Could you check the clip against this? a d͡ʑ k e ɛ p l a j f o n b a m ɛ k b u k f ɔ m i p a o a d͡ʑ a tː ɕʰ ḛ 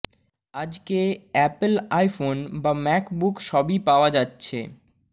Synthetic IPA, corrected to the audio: a d͡ʑ k e ɛ p l a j f o n b a m ɛ k b u k ʃ ɔ b i p a o a d͡ʑ a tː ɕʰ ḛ